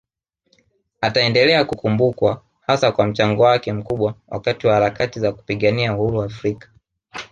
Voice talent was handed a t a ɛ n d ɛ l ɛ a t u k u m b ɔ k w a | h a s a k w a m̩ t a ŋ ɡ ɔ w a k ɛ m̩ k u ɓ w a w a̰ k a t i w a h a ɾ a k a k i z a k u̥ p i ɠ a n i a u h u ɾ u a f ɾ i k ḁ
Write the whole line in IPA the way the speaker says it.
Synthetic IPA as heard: a t a ɛ n d ɛ l ɛ a k u k u m b u k w a | h a s a k w a m̩ t͡ʃ a ŋ ɡ ɔ w a k ɛ m̩ k u ɓ w a w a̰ k a t i w a h a ɾ a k a t i z a k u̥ p i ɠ a n i a u h u ɾ u a f ɾ i k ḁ